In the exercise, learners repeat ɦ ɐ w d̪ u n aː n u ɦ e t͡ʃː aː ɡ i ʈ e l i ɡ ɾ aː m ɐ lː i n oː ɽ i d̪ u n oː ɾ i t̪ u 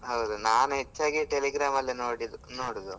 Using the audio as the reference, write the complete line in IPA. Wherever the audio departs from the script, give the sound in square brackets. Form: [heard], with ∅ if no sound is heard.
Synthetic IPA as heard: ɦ ɐ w d̪ u n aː n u ɦ e t͡ʃː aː ɡ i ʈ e l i ɡ ɾ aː m ɐ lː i n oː ɽ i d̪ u n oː [ɽ] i [d̪] u